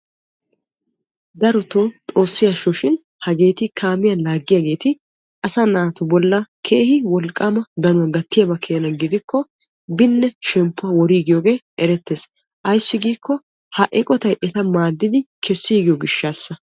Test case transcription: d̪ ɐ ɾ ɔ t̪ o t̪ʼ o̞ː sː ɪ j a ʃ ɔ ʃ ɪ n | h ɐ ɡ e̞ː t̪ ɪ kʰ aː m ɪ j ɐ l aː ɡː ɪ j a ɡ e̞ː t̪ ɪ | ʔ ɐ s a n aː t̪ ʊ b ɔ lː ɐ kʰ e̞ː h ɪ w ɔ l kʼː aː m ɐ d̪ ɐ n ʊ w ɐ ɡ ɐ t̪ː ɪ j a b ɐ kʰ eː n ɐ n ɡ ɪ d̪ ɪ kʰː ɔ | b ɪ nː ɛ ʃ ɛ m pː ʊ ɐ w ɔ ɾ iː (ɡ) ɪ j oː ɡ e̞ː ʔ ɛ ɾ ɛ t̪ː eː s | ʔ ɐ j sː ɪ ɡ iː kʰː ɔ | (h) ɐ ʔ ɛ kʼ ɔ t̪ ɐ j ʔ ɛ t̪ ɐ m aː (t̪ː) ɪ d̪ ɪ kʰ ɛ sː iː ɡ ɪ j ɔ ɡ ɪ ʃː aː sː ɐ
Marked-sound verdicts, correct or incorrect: correct, correct, incorrect: d̪ː

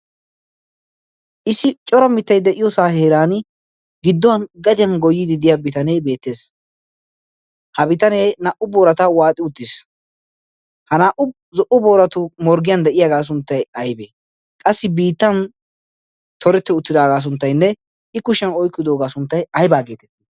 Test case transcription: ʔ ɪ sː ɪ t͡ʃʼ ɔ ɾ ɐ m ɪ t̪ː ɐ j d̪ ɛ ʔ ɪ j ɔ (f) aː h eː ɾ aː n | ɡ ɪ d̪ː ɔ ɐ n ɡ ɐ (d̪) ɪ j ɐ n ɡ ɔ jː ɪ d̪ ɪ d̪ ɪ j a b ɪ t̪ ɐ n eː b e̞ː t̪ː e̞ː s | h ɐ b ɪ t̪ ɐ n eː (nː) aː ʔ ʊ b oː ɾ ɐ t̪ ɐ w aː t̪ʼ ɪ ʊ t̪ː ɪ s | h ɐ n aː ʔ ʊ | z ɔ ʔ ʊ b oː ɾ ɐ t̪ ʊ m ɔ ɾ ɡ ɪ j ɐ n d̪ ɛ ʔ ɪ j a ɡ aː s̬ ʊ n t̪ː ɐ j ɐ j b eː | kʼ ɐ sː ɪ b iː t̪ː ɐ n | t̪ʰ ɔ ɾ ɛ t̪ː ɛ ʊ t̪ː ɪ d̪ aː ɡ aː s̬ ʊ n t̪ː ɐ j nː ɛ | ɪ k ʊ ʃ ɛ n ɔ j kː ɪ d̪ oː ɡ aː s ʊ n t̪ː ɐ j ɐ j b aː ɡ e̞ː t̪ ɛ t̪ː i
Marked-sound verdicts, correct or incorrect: incorrect: s, correct, incorrect: n

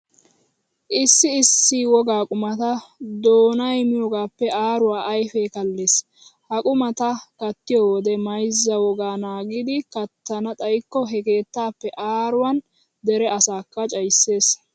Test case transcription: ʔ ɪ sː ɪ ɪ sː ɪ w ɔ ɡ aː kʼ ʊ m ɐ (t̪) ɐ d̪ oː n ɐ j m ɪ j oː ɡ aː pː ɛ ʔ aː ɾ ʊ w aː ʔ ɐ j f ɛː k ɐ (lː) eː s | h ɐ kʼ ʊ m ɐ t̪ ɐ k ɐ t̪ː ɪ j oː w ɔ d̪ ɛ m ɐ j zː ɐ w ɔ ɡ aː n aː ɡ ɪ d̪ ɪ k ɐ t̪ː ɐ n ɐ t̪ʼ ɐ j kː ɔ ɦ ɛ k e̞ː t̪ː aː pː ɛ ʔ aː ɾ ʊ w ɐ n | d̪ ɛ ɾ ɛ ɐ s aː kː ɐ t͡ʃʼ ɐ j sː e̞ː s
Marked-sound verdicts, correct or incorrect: correct, correct

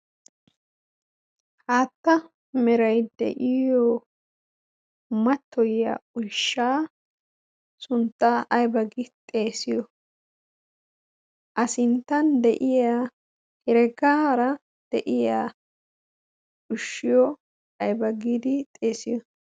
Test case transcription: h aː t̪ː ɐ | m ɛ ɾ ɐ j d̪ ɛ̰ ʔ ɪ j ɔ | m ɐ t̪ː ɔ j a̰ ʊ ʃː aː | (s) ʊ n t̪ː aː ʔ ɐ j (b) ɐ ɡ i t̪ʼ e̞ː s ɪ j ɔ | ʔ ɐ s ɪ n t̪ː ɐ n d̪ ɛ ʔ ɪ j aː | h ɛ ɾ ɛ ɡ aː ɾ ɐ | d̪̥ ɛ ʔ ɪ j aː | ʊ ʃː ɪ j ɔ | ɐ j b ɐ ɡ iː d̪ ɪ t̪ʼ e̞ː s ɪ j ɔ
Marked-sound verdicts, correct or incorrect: correct, correct

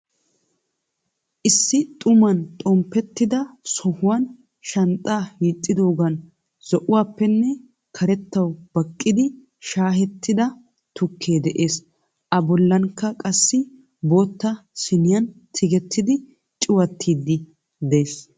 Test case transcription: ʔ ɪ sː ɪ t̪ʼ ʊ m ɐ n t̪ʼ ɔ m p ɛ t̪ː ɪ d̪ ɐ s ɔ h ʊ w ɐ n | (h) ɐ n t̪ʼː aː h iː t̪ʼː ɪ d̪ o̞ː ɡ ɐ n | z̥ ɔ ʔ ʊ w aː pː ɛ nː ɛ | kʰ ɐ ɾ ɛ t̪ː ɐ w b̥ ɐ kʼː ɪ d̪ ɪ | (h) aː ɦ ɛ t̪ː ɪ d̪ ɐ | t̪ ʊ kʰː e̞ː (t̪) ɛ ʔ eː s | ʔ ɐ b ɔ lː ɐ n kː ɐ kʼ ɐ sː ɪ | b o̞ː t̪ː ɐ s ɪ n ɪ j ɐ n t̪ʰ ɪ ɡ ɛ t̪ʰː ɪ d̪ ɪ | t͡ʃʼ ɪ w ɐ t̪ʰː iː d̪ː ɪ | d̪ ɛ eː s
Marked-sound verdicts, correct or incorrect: incorrect: ʃ, incorrect: ʃ, incorrect: d̪

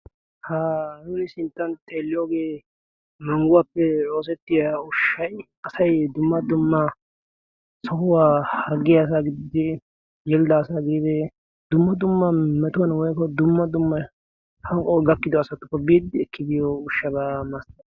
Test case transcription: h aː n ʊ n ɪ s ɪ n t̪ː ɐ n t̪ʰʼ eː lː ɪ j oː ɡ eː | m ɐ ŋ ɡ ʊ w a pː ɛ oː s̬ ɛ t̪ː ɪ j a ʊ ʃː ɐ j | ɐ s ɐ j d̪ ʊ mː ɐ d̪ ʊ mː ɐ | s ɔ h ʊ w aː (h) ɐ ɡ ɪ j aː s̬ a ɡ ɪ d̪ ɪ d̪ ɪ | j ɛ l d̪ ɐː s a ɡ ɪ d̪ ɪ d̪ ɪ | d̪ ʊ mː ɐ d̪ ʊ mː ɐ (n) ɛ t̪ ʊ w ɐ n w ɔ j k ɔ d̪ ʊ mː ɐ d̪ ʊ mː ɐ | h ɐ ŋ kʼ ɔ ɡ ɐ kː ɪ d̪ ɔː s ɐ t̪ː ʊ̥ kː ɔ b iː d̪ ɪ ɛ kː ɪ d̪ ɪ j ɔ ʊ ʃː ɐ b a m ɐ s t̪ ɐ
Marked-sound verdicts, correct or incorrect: correct, incorrect: m

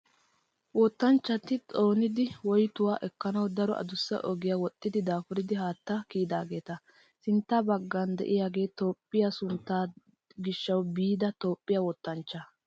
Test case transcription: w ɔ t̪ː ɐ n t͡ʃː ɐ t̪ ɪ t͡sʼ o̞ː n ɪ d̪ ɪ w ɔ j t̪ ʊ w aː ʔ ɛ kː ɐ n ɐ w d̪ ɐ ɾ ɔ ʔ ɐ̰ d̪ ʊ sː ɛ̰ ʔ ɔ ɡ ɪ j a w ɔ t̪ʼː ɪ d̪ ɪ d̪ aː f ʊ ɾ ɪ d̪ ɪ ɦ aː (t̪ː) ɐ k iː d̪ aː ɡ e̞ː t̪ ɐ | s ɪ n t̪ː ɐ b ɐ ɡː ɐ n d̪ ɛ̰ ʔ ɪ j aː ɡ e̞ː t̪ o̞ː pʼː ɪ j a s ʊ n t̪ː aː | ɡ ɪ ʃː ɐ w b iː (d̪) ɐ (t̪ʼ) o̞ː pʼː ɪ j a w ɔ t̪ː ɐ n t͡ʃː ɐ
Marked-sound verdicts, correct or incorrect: correct, correct, incorrect: t̪

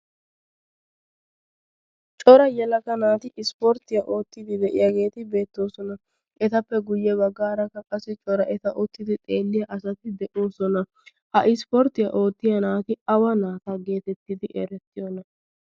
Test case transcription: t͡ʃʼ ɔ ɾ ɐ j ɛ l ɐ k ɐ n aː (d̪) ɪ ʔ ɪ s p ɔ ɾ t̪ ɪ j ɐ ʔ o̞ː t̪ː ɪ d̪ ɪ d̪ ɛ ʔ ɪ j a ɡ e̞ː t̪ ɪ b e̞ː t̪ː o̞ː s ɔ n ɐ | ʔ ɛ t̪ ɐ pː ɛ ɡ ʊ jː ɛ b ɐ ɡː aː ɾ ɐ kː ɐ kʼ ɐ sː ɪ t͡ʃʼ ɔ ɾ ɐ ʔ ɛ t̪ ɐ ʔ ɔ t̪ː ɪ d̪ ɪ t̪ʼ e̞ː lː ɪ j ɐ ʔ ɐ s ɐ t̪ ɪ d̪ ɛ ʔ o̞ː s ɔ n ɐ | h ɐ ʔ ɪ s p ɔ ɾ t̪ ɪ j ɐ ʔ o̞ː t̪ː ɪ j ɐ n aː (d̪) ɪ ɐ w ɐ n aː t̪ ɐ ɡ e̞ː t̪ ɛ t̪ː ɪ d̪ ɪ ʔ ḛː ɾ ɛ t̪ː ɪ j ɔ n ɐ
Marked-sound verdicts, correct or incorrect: incorrect: t̪, incorrect: t̪

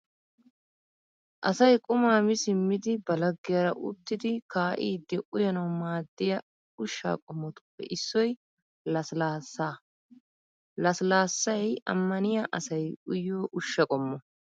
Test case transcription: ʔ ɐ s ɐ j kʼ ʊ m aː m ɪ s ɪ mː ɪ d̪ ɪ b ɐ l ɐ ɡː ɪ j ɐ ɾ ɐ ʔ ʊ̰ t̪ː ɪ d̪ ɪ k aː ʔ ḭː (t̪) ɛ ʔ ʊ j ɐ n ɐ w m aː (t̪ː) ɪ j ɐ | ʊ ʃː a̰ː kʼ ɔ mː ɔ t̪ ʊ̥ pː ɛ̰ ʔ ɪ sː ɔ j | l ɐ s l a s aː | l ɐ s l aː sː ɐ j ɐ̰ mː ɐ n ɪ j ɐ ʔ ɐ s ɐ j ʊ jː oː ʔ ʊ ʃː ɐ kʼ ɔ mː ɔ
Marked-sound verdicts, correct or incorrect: incorrect: d̪, incorrect: d̪ː

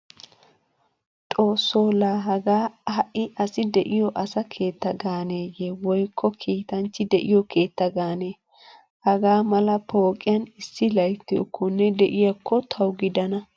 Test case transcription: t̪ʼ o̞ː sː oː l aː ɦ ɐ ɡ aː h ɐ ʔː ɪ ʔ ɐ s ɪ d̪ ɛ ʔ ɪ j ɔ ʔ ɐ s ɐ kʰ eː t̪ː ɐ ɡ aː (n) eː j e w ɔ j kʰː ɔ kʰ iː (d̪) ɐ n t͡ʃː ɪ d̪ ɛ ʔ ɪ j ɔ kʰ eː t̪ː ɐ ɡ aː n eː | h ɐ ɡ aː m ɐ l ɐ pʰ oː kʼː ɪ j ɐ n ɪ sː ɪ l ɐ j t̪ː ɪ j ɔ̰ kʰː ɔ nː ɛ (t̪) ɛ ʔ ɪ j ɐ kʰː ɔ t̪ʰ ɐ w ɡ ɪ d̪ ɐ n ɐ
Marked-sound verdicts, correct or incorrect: correct, incorrect: t̪, incorrect: d̪

